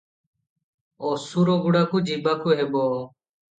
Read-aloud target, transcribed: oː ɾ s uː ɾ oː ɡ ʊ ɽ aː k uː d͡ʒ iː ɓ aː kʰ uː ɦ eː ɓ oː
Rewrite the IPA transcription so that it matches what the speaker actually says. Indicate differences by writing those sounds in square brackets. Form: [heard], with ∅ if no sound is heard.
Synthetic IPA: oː [∅] s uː ɾ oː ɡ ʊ ɽ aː k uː d͡ʒ iː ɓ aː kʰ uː ɦ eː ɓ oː